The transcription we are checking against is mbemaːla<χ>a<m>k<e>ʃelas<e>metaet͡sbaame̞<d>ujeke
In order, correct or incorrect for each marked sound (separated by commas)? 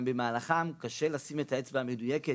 correct, correct, incorrect, incorrect, correct